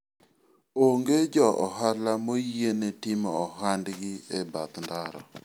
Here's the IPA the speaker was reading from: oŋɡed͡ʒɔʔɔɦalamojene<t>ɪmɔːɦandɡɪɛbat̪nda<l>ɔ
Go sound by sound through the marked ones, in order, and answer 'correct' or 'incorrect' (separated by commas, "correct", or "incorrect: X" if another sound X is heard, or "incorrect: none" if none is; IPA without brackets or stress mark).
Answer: correct, incorrect: ɾ